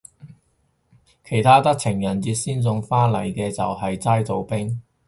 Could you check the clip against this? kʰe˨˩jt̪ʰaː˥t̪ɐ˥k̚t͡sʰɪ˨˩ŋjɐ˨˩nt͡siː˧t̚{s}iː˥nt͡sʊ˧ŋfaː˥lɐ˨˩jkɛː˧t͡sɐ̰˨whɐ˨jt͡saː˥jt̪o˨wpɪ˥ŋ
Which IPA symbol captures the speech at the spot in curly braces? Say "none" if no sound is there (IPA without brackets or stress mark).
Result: s